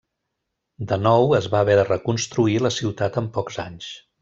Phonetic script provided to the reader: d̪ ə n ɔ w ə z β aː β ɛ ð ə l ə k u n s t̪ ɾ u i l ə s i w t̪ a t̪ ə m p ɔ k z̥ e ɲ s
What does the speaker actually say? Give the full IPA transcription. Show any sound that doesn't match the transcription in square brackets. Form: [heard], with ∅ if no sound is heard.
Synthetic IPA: d̪ ə n ɔ w ə z β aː β ɛ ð ə [r] ə k u n s t̪ ɾ u i l ə s i w t̪ a t̪ ə m p ɔ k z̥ [a] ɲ s